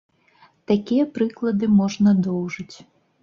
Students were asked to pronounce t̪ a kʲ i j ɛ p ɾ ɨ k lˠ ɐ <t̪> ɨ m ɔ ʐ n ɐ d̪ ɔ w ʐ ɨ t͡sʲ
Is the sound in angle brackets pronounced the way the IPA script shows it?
no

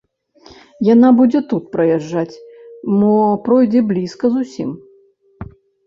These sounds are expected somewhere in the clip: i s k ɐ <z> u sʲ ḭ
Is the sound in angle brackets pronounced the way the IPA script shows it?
yes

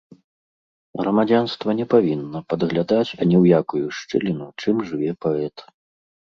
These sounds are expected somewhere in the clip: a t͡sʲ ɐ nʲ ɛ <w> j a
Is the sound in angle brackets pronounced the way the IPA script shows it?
yes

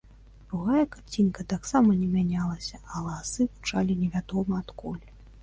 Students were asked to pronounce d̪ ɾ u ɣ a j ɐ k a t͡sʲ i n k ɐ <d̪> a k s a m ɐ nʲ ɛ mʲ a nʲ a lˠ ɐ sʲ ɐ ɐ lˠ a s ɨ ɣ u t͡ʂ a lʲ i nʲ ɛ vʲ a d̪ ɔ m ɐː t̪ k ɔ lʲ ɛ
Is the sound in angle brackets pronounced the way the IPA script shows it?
no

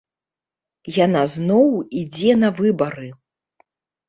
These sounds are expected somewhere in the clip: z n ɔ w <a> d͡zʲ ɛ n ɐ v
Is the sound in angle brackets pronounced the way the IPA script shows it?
no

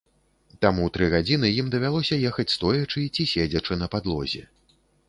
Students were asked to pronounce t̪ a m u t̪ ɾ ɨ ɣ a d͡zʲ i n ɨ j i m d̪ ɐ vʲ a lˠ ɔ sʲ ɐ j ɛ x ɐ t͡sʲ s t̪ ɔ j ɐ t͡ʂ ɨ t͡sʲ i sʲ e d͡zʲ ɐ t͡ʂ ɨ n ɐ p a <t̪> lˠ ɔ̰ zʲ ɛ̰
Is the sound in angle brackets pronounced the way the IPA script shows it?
no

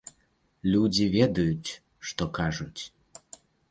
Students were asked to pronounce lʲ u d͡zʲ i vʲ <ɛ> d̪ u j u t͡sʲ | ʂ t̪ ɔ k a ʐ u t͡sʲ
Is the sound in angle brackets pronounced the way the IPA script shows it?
yes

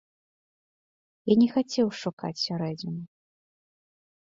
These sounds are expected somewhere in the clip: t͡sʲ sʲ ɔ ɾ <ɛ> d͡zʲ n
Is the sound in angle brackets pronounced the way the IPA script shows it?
yes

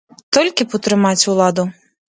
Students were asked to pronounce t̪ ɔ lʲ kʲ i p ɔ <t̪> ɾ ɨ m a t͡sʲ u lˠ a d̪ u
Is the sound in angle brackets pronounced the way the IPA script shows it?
yes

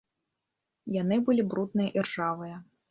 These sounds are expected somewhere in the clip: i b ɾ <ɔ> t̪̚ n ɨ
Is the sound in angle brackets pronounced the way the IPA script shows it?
no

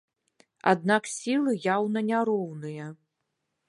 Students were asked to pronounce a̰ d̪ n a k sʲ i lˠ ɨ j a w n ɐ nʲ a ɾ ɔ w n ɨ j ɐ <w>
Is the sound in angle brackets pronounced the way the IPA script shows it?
no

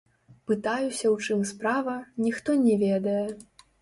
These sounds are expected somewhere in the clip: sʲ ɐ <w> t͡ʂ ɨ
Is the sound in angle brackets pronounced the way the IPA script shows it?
yes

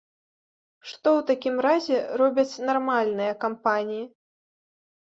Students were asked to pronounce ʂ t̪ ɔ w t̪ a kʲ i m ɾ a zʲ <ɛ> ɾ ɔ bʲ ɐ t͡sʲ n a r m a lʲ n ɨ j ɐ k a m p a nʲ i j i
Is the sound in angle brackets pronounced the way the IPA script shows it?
yes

